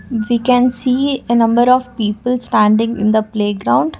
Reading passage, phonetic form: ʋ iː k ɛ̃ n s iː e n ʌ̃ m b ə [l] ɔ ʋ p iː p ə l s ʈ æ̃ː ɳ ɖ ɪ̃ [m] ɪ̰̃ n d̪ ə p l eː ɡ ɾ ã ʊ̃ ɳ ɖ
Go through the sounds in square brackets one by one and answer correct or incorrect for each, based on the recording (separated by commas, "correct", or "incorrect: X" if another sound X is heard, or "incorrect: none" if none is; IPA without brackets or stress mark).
incorrect: ɾ, incorrect: ŋ